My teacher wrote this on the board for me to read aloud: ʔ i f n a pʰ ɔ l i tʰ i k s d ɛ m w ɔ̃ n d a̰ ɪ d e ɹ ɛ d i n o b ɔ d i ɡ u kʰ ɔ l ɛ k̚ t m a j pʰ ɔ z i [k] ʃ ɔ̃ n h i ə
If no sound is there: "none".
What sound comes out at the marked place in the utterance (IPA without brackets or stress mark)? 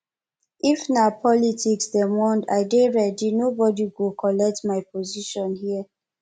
none